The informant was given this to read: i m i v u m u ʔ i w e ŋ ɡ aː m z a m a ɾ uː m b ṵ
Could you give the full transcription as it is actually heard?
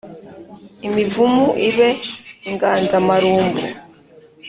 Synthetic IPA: i m i v u m u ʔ i β e ŋ ɡ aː n z a m a ɾ uː m b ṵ

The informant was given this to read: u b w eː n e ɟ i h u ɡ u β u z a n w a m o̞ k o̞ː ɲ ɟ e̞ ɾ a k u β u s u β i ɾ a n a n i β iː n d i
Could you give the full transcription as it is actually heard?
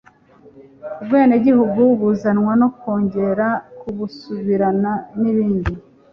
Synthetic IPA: u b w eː n e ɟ i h u ɡ u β u z a n w a n o̞ k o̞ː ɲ ɟ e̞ ɾ a k u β u s u β i ɾ a n a n i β iː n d i

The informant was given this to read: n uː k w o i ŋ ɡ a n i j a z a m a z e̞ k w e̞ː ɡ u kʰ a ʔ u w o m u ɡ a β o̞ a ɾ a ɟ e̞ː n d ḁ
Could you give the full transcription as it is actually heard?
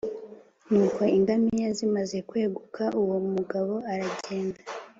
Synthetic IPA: n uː k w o i ŋ ɡ a m i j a z i m a z e̞ k w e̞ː ɡ u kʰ a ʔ u w o m u ɡ a β o̞ a ɾ a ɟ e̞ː n d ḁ

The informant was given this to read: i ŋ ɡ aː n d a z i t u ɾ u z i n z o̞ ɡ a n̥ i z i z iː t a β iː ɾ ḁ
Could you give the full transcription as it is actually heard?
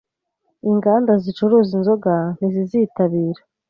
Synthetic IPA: i ŋ ɡ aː n d a z i t͡ʃ u ɾ u z i n z o̞ ɡ a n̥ i z i z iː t a β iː ɾ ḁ

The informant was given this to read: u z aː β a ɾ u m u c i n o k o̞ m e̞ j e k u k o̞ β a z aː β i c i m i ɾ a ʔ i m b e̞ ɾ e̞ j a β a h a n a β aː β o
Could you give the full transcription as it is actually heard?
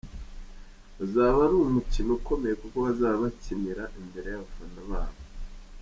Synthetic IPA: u z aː β a ɾ u m u c i n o k o̞ m e̞ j e k u k o̞ β a z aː β a c i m i ɾ a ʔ i m b e̞ ɾ e̞ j a β a f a n a β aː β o

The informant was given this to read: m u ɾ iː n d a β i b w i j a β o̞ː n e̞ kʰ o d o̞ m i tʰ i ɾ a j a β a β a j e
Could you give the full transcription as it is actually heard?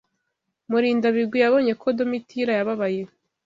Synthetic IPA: m u ɾ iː n d a β i ɡ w i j a β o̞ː ɲ e̞ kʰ o d o̞ m i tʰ i ɾ a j a β a β a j e

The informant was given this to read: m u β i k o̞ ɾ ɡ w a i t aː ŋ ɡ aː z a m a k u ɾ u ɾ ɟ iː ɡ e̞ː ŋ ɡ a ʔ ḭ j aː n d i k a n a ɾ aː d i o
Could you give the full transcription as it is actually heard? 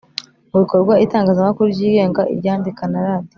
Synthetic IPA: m u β i k o̞ ɾ ɡ w a i t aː ŋ ɡ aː z a m a k u ɾ u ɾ ɟ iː ɡ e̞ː ŋ ɡ a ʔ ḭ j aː n d i k a n a ɾ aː d i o

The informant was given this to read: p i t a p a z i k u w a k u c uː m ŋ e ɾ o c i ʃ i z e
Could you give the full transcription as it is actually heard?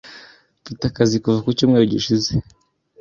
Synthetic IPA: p i t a k a z i k u v a k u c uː m ŋ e ɾ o ɟ i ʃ i z e

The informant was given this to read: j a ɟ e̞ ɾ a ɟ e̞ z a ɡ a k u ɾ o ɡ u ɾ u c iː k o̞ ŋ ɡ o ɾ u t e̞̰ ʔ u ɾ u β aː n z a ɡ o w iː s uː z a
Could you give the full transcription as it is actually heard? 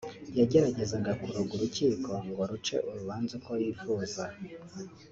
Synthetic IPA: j a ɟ e̞ ɾ a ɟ e̞ z a ɡ a k u ɾ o ɡ u ɾ u c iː k o̞ ŋ ɡ o ɾ u t͡ʃ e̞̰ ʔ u ɾ u β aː n z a k o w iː f uː z a

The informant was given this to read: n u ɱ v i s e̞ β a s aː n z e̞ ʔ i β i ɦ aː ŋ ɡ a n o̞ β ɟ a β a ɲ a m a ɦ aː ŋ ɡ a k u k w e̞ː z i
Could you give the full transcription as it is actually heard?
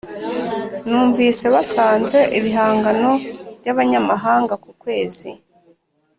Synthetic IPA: n uː ɱ v i s e̞ β a s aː n z e̞ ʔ i β i ɦ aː ŋ ɡ a n o̞ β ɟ a β a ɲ a m a ɦ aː ŋ ɡ a k u k w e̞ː z i

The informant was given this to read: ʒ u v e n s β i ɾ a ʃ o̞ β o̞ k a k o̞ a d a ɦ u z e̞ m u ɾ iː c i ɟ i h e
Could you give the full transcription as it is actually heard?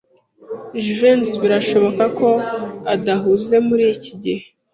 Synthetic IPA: ʒ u v e n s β i ɾ a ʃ o̞ β o̞ k a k o̞ a d a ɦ u z e̞ m u ɾ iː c i ɟ i h e

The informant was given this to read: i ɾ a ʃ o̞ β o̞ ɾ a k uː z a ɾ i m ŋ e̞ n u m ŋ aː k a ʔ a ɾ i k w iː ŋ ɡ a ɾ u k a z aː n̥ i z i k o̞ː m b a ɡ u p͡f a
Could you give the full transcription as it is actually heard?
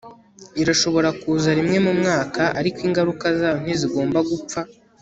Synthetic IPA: i ɾ a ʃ o̞ β o̞ ɾ a k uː z a ɾ i m ŋ e̞ m u m ŋ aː k a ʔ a ɾ i k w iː ŋ ɡ a ɾ u k a z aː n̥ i z i ɡ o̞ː m b a ɡ u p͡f a

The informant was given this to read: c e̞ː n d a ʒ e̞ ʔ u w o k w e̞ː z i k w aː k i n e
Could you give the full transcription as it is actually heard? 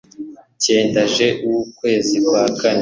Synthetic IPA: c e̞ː n d a ʒ e̞ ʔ u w u k w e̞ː z i k w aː k a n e

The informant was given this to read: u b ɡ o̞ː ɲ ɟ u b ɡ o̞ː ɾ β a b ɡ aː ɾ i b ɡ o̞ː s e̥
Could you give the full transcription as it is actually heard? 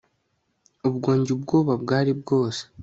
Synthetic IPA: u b ɡ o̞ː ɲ ɟ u b ɡ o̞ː β a b ɡ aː ɾ i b ɡ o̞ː s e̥

